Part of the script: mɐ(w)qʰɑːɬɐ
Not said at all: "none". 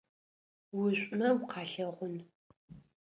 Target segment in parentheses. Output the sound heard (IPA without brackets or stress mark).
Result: w